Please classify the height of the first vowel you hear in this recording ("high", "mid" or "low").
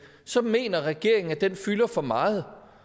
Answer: low